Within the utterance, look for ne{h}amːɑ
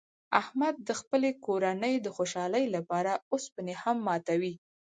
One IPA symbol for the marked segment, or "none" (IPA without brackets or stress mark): h